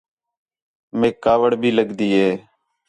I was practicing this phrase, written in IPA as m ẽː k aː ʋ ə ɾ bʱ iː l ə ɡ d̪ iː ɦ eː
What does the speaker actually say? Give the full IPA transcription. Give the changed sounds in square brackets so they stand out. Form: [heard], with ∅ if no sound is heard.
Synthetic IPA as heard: m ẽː k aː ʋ ə [ɽ] bʱ iː l ə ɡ d̪ iː ɦ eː